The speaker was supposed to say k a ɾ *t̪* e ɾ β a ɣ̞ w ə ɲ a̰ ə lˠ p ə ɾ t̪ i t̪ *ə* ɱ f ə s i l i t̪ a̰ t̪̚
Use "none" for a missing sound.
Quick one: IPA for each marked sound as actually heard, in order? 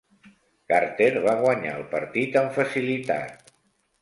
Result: t̪, ə

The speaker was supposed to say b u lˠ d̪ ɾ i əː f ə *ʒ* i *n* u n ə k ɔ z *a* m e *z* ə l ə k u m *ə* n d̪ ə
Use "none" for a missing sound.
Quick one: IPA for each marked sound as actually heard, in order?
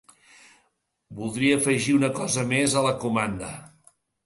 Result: ʒ, none, ə, z, a

